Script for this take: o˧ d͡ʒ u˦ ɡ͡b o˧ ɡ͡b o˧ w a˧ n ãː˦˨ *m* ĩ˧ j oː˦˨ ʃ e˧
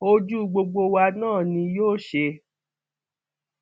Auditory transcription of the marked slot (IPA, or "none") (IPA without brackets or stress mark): n